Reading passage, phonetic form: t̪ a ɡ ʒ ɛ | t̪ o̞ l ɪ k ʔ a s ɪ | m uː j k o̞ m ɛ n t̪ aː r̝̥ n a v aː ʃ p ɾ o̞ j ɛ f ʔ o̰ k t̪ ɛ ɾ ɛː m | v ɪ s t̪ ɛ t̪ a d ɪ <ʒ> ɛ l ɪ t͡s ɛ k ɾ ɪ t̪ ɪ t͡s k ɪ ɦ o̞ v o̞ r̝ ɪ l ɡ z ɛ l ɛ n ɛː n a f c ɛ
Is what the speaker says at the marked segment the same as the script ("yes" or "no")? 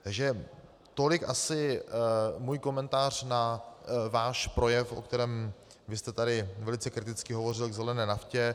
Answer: no